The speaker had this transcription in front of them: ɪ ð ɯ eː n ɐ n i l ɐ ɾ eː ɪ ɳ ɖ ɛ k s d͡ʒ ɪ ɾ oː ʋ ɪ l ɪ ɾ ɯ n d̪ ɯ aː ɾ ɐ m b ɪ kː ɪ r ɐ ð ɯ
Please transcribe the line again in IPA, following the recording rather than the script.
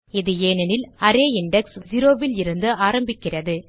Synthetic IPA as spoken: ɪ ð ɯ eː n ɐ n ɪ l ɐ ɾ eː ɪ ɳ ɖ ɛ k s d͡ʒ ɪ ɾ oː ʋ ɪ l ɪ ɾ ɯ n d̪ ɯ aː ɾ ɐ m b ɪ kː ɪ r ɐ ð ɯ

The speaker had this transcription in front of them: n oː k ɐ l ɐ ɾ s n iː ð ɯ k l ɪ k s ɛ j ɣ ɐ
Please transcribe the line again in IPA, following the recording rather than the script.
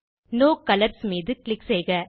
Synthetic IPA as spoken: n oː k ɐ l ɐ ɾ s m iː ð ɯ k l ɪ k s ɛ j ɣ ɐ

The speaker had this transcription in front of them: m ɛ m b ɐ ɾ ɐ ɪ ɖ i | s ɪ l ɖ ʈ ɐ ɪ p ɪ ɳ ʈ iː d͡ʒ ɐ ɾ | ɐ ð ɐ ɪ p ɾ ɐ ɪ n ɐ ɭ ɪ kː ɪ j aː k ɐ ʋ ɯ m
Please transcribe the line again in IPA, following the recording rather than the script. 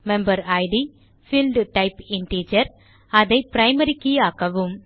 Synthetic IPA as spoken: m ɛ m b ɐ ɾ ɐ ɪ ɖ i | f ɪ l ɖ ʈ ɐ ɪ p ɪ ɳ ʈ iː d͡ʒ ɐ ɾ | ɐ ð ɐ ɪ p ɾ ɐ ɪ m ɐ ɾ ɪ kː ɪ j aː k ɐ ʋ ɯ m

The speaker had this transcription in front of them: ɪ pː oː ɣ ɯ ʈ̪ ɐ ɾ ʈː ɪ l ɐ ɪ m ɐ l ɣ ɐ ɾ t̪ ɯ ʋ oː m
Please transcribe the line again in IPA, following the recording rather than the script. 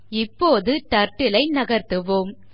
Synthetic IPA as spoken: ɪ pː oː ð ɯ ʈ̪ ɐ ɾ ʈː ɪ l ɐ ɪ n ɐ ɣ ɐ ɾ t̪ ɯ ʋ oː m

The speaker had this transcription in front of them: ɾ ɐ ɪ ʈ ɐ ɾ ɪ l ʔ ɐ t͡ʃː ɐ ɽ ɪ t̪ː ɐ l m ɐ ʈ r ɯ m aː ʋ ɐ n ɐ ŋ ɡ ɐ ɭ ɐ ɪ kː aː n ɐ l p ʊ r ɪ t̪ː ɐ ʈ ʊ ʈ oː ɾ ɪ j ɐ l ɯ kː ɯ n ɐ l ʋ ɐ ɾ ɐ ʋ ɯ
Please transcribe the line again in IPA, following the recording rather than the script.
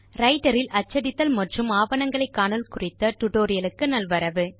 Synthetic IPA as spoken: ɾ ɐ ɪ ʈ ɐ ɾ ɪ l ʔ ɐ t͡ʃː ɐ ɽ ɪ t̪ː ɐ l m ɐ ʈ r ɯ m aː ʋ ɐ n ɐ ŋ ɡ ɐ ɭ ɐ ɪ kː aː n ɐ l k ʊ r ɪ t̪ː ɐ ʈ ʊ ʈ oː ɾ ɪ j ɐ l ɯ kː ɯ n ɐ l ʋ ɐ ɾ ɐ ʋ ɯ

